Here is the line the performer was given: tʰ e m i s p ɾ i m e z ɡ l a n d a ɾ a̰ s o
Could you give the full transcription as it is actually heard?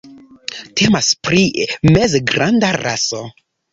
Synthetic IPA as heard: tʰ e m a s p ɾ i m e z ɡ ɾ a n d a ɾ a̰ s o